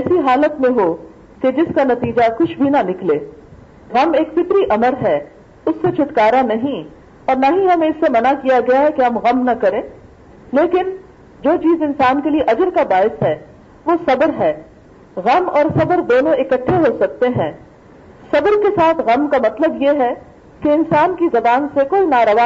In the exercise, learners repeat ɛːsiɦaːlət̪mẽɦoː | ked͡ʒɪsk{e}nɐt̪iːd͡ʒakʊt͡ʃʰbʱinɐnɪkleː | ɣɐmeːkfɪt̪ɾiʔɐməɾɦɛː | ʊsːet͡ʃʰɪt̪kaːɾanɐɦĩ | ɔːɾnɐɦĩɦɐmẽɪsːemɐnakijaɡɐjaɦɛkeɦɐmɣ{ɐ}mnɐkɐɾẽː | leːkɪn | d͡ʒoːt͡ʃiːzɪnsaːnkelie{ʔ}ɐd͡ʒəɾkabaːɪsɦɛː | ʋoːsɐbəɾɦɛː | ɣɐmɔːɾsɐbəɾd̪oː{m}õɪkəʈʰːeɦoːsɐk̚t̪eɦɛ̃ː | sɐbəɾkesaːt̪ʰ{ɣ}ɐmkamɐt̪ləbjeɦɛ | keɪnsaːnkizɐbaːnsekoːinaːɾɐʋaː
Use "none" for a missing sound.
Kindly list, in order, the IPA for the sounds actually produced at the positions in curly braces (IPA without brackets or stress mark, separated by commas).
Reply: a, ɐ, ʔ, n, ɣ